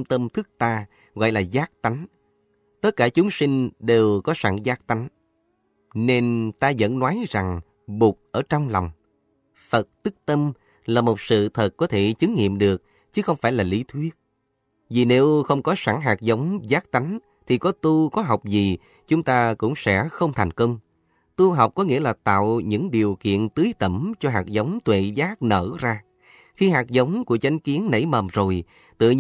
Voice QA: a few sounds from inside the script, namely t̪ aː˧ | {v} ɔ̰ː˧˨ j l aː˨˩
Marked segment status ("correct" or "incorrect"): incorrect